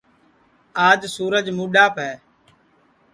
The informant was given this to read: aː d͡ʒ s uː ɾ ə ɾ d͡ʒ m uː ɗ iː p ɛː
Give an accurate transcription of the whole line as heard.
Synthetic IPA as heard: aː d͡ʒ s uː ɾ ə d͡ʒ m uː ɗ aː p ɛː